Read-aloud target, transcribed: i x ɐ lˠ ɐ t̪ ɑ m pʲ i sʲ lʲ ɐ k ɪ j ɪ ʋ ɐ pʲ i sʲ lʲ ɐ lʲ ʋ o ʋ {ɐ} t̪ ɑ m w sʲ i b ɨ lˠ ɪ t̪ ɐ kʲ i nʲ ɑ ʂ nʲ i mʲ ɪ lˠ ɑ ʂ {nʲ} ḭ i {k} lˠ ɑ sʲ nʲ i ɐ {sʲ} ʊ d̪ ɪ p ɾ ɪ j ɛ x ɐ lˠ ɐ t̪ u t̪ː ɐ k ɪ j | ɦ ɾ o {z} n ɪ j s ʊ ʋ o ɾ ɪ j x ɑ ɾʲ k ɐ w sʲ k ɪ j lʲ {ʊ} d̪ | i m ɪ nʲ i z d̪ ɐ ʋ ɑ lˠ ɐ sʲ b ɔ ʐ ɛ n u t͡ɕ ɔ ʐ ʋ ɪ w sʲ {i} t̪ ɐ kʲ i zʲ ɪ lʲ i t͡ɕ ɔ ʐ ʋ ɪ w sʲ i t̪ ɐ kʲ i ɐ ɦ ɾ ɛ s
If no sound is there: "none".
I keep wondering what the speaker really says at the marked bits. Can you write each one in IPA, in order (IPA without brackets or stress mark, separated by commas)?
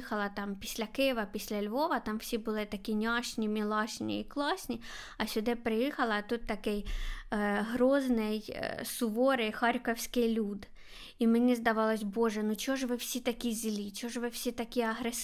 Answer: ɐ, nʲ, k, sʲ, z, u, i